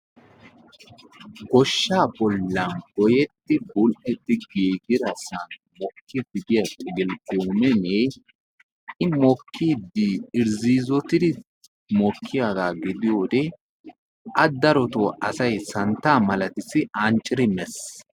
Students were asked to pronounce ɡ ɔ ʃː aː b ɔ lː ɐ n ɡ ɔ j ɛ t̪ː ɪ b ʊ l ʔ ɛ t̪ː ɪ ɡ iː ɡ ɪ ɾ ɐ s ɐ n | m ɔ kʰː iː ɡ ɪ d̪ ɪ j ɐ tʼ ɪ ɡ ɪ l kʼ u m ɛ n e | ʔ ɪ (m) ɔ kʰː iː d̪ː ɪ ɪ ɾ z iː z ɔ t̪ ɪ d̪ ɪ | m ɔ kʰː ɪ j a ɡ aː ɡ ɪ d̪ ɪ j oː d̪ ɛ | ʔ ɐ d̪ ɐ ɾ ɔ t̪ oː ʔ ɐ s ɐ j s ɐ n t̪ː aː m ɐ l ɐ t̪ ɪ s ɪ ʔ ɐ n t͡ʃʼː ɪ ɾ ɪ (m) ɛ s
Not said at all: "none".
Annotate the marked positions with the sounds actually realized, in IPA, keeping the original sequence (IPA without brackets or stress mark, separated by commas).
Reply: m, m